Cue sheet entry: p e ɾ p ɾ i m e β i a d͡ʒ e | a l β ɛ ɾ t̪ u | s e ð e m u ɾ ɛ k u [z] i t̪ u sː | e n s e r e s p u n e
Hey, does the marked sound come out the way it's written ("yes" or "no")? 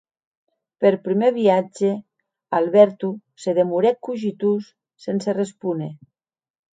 no